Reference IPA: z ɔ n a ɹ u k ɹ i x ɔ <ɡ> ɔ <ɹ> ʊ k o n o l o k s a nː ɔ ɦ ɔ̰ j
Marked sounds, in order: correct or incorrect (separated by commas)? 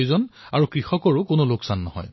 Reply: incorrect, correct